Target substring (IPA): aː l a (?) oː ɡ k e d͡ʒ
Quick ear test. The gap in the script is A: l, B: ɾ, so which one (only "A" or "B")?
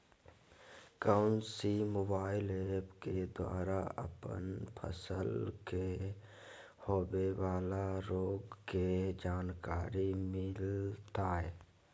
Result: B